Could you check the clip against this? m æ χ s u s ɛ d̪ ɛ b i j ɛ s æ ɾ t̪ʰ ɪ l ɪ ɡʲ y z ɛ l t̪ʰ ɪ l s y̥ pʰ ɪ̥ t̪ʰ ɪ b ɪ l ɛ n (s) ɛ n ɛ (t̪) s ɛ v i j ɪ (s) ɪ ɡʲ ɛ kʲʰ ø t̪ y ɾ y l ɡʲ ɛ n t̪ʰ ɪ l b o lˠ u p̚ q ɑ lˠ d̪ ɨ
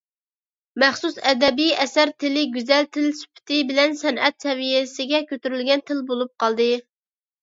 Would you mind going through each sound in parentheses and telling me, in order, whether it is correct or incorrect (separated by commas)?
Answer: correct, correct, correct